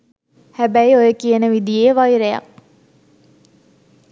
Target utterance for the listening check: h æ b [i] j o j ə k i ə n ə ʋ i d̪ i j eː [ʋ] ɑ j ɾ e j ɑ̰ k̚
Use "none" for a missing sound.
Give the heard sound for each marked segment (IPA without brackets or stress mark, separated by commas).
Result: æ, ʋ